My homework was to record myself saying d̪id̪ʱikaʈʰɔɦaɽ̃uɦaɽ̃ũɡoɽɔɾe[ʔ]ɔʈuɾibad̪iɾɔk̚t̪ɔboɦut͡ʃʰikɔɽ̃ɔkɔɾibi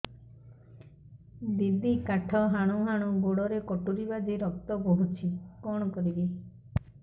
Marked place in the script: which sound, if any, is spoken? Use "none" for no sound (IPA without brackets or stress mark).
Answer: k